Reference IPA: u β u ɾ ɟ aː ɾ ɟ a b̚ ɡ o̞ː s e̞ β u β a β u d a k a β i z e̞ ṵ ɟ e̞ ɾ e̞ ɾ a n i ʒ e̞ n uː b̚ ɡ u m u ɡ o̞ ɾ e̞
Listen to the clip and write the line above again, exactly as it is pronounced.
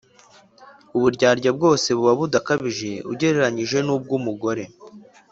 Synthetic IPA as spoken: u β u ɾ ɟ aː ɾ ɟ a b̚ ɡ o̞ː s e̞ β u β a β u d a k a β i ʒ e̞ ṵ ɟ e̞ ɾ e̞ ɾ a ɲ i ʒ e̞ n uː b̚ ɡ u m u ɡ o̞ ɾ e̞